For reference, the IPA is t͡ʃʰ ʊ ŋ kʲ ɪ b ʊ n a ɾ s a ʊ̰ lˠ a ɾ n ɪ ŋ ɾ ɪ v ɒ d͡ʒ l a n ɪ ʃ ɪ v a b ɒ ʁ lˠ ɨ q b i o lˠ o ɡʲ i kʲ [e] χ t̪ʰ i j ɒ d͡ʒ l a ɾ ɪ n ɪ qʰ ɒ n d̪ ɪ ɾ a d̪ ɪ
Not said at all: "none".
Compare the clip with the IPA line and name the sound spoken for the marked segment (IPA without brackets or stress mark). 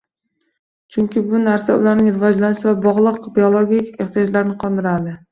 e